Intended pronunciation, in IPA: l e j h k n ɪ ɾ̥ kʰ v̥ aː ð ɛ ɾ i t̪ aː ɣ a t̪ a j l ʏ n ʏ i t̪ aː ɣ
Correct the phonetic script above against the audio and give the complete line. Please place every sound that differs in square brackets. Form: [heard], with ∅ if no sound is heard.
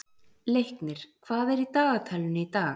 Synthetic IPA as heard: l e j h k n ɪ ɾ̥ kʰ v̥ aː ð ɛ ɾ i t̪ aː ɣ a [t̪ʰ] a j l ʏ n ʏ i t̪ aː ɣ